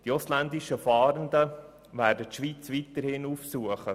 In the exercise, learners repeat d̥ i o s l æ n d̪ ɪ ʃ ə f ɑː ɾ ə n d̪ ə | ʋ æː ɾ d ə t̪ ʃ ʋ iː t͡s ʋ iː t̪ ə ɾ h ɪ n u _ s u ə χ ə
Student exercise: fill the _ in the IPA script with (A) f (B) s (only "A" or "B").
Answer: A